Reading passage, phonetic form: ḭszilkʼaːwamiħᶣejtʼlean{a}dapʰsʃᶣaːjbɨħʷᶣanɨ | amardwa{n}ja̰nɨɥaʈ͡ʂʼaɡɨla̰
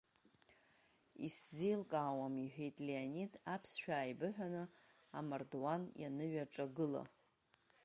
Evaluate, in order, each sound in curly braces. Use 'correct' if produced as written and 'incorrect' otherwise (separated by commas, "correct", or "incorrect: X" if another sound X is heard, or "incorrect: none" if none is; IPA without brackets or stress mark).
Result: incorrect: i, correct